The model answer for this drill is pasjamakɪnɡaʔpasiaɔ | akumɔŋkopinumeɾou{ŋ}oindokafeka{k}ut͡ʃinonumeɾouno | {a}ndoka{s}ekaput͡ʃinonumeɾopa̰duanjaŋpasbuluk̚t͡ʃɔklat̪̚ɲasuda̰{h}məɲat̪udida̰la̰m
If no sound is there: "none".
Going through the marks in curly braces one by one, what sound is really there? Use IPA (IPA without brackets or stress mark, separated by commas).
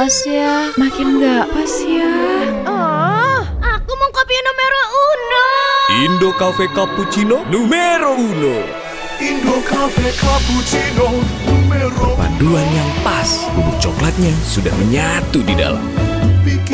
n, p, i, f, h